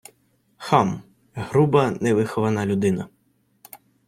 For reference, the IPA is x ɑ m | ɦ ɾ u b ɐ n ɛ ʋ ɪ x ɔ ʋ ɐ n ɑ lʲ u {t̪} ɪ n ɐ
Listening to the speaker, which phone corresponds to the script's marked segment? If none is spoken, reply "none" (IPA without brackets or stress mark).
d̪